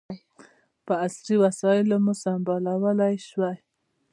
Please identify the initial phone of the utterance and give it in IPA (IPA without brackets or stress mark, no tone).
p